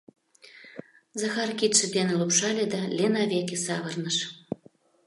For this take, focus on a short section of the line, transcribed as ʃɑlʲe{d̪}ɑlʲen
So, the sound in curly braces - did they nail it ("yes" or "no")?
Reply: yes